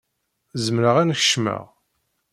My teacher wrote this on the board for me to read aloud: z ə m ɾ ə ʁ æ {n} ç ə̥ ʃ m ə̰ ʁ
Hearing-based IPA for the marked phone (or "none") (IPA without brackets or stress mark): n